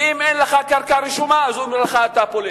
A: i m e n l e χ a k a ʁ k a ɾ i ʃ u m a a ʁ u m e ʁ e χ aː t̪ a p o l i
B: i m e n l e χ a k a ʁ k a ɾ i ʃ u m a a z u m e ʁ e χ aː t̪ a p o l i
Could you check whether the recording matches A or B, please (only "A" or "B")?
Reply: B